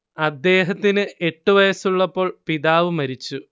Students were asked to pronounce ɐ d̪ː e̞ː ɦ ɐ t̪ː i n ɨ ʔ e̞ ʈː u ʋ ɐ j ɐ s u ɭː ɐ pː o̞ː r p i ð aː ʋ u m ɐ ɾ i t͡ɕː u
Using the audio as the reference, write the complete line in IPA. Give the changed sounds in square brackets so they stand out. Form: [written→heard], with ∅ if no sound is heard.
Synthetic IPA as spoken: ɐ d̪ː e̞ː ɦ ɐ t̪ː i n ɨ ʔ e̞ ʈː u ʋ ɐ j ɐ s u ɭː ɐ pː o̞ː [r→ɭ] p i ð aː ʋ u m ɐ ɾ i t͡ɕː u